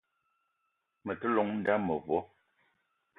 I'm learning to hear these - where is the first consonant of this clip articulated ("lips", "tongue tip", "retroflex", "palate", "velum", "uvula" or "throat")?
lips